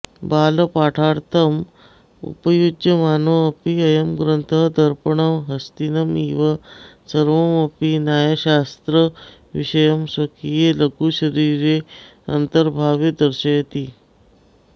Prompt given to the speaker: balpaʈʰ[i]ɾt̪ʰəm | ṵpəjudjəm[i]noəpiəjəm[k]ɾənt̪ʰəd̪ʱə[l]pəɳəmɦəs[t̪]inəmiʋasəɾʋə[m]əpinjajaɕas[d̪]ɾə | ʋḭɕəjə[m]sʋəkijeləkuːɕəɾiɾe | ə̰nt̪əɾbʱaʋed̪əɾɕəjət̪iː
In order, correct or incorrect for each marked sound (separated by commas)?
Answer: incorrect, incorrect, incorrect, incorrect, correct, correct, incorrect, correct